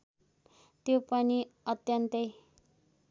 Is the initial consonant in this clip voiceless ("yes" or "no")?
yes